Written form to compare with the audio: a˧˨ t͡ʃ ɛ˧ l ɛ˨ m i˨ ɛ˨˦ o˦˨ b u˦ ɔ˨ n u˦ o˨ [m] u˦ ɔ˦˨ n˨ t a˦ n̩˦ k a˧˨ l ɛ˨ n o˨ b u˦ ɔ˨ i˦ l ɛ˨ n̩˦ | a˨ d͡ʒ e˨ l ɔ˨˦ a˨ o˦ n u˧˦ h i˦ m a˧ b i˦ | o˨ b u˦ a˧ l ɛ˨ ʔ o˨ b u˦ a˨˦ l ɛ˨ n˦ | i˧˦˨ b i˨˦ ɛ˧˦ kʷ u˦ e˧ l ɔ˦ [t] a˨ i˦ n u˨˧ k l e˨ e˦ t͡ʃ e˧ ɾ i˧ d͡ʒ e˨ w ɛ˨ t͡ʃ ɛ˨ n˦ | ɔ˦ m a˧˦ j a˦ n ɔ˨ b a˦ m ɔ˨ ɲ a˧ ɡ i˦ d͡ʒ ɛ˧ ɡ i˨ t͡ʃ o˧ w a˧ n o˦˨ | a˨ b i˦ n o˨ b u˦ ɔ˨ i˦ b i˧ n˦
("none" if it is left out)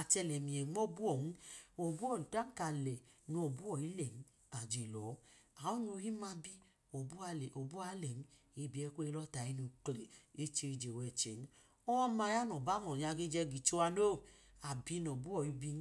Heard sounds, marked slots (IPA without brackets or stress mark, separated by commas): b, t